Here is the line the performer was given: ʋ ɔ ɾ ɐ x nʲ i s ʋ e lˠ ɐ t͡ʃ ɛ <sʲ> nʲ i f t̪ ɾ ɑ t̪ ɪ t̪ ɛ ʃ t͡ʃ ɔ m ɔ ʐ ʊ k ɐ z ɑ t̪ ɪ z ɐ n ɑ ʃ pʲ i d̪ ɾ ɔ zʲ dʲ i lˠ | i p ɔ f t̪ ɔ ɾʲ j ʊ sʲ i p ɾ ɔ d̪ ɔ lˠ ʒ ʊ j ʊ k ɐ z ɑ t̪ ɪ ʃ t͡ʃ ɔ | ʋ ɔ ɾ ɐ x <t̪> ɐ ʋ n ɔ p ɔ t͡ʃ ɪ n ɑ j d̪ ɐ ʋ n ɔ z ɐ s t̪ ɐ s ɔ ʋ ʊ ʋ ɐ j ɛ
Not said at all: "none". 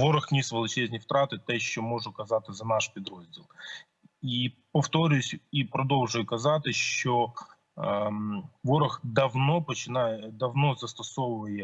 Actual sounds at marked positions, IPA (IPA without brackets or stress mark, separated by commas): zʲ, d̪